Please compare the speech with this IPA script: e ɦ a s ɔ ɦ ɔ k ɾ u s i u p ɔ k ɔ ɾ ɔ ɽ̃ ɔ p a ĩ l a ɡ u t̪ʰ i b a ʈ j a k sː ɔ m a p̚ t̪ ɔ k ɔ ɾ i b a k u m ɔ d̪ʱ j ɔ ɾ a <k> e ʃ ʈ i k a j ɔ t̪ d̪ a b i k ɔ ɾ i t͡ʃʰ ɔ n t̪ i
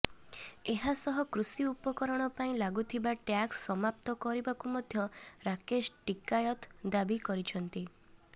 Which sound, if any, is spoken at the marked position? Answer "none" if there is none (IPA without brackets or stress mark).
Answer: k